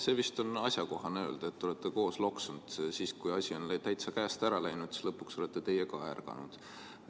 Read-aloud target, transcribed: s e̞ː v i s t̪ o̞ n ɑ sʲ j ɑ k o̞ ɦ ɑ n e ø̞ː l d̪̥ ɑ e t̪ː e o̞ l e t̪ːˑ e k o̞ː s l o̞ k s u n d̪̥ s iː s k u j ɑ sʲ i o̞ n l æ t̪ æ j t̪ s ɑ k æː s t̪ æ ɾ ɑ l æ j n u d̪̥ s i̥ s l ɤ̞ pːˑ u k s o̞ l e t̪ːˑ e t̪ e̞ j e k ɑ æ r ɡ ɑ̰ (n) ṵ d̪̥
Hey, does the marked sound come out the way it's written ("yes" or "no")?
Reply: yes